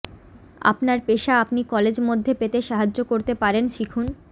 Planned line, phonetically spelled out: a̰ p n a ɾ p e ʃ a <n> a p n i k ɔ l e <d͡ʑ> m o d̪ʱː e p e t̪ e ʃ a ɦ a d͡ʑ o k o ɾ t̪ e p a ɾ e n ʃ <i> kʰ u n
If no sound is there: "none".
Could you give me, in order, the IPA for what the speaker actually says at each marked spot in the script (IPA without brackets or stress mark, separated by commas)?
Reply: none, d͡ʑ, i